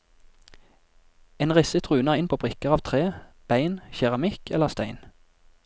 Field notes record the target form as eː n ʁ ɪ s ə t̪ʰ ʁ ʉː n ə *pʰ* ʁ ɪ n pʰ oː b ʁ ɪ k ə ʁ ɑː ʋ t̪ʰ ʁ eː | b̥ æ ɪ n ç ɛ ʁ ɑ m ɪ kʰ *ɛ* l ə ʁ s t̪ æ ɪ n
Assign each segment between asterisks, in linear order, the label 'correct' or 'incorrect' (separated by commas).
incorrect, correct